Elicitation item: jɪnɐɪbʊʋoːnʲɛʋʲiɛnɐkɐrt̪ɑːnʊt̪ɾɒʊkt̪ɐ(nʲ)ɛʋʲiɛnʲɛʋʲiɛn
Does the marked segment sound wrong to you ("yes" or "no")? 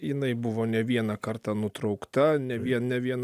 no